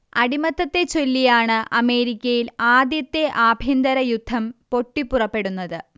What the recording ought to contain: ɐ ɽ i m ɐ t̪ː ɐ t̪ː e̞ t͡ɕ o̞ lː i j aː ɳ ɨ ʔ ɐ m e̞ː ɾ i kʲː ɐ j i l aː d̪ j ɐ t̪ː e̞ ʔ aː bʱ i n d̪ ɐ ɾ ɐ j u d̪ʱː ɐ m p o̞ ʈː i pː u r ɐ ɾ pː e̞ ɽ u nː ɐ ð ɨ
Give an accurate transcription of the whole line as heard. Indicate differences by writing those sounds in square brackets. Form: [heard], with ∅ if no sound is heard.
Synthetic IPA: ɐ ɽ i m ɐ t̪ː ɐ t̪ː e̞ t͡ɕ o̞ lː i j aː ɳ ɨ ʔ ɐ m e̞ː ɾ i kʲː ɐ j i l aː d̪ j ɐ t̪ː e̞ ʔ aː bʱ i n d̪ ɐ ɾ ɐ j u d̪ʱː ɐ m p o̞ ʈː i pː u r ɐ [∅] pː e̞ ɽ u nː ɐ ð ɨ